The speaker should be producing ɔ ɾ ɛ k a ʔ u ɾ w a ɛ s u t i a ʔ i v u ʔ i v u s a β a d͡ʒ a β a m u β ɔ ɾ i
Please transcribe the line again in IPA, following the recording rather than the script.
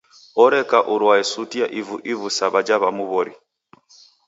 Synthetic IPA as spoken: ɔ ɾ ɛ k a ʔ u ɾ w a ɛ s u t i a ʔ i v u ʔ i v u s a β a d͡ʒ a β a m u β ɔ ɾ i